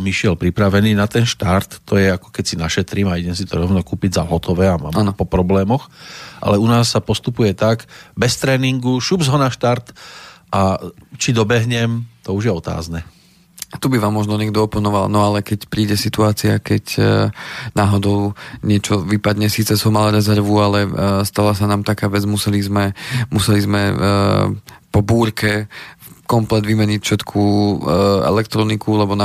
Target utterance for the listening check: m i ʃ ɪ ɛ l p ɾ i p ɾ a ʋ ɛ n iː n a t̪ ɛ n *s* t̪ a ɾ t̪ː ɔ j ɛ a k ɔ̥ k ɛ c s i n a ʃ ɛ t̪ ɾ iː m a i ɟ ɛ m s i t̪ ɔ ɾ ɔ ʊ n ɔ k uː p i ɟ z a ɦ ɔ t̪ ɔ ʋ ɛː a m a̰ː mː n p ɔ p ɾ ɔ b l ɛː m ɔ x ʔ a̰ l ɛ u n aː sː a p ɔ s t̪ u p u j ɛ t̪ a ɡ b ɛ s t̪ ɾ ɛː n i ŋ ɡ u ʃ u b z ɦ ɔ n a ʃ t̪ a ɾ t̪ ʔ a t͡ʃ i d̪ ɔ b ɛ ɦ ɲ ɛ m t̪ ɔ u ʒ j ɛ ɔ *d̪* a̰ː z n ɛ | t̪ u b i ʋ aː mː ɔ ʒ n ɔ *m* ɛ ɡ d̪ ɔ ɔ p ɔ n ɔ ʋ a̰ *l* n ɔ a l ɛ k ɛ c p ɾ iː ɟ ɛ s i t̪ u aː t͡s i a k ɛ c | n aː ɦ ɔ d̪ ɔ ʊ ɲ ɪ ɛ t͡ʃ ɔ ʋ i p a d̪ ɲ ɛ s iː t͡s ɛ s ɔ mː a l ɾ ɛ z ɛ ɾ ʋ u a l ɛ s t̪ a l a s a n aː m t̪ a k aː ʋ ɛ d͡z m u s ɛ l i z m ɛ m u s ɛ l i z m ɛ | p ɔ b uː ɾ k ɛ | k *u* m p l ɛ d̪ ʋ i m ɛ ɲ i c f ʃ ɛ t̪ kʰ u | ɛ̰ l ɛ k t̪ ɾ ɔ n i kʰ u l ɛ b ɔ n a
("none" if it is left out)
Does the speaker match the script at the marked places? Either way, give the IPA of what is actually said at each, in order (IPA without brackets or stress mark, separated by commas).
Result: ʃ, t̪, ɲ, l, ɔ